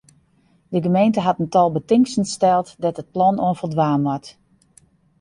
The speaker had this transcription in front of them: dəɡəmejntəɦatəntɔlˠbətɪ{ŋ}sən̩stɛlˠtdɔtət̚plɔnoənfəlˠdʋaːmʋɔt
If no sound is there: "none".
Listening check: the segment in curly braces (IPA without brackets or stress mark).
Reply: ŋ